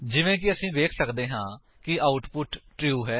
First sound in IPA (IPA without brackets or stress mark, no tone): d͡ʒ